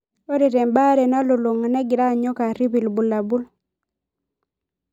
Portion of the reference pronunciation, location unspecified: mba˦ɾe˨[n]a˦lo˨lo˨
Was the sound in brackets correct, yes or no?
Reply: yes